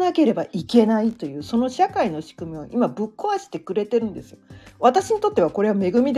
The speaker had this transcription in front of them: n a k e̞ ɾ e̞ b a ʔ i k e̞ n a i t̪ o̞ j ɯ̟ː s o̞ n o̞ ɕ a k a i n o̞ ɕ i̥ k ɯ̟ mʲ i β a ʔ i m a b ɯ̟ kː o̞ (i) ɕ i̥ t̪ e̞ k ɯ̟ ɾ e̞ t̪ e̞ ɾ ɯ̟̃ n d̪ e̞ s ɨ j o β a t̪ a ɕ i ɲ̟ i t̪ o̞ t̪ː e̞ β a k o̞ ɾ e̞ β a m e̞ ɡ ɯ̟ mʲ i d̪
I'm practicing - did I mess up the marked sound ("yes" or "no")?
yes